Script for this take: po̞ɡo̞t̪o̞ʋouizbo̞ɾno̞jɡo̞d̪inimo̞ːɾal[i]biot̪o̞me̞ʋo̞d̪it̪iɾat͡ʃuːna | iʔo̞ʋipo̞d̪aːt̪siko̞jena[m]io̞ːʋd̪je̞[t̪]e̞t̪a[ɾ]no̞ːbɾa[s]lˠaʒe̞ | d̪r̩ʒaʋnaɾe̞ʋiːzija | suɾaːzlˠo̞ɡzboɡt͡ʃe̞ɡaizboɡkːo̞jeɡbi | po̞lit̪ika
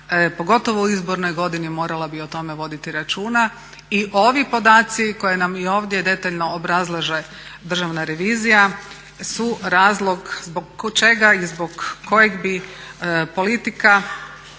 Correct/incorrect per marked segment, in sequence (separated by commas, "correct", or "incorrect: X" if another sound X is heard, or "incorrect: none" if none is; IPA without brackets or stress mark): incorrect: a, correct, incorrect: d̪, incorrect: ʎ, incorrect: z